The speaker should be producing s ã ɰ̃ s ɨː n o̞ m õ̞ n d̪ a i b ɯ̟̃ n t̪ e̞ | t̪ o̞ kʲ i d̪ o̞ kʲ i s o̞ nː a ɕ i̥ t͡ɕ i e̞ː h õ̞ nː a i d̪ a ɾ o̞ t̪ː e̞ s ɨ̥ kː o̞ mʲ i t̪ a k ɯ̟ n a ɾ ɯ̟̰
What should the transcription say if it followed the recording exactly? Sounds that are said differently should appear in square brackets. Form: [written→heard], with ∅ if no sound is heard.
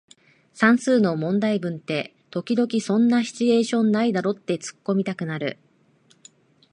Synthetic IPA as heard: s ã ɰ̃ s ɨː n o̞ m õ̞ n d̪ a i b ɯ̟̃ n t̪ e̞ | t̪ o̞ kʲ i d̪ o̞ kʲ i s [o̞→õ̞] nː a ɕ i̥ t͡ɕ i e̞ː [h→ɕ] õ̞ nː a i d̪ a ɾ o̞ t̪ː e̞ [s→t͡s] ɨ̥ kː o̞ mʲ i t̪ a k ɯ̟ n a ɾ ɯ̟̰